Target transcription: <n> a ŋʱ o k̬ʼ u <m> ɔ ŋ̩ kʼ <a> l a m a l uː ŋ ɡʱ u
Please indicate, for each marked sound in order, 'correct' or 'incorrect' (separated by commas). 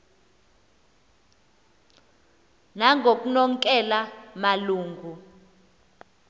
correct, incorrect, incorrect